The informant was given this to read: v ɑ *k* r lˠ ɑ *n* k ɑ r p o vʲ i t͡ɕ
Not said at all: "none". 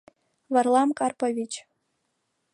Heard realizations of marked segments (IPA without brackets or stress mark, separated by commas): none, m